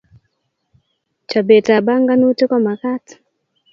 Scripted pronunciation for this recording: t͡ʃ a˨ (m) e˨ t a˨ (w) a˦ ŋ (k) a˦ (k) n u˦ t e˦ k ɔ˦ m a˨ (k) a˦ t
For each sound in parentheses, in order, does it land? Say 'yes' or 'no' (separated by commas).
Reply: no, no, no, no, yes